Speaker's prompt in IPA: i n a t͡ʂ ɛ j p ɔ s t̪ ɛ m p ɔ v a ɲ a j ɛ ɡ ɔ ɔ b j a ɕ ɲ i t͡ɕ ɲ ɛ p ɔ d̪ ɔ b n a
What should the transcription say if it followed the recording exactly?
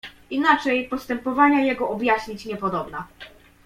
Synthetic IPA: i n a t͡ʂ ɛ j p ɔ s t̪ ɛ m p ɔ v a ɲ a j ɛ ɡ ɔ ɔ b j a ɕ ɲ i t͡ɕ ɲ ɛ p ɔ d̪ ɔ b n a

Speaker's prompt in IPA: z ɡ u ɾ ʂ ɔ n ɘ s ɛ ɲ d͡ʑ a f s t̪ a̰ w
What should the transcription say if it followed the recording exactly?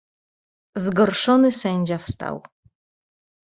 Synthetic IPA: z ɡ ɔ ɾ ʂ ɔ n ɘ s ɛ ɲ d͡ʑ a f s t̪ a̰ w

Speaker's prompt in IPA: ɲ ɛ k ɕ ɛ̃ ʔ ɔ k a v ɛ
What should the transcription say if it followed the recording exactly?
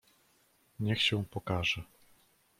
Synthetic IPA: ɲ ɛ x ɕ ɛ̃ p ɔ k a ʐ ɛ

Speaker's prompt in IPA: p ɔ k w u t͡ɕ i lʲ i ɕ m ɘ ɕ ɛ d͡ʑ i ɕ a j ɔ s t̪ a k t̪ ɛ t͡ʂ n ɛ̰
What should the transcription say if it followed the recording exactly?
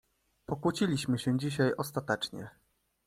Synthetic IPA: p ɔ k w u t͡ɕ i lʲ i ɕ m ɘ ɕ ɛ d͡ʑ i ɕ a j ɔ s t̪ a t̪ ɛ t͡ʂ ɲ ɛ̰

